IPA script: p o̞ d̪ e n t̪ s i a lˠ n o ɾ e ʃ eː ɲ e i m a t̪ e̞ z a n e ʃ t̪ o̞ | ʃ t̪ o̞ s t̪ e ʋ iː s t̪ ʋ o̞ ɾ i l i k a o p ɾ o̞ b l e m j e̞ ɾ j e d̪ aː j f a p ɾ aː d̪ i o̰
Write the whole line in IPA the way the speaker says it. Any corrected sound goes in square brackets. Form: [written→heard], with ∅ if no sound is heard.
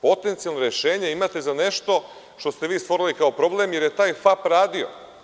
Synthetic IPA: p o̞ [d̪→t̪] e n t̪ s i a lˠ n o ɾ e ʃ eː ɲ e i m a t̪ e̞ z a n e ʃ t̪ o̞ | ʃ t̪ o̞ s t̪ e ʋ iː s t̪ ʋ o̞ ɾ i l i k a o p ɾ o̞ b l e m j e̞ ɾ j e [d̪→t̪] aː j f a p ɾ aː d̪ i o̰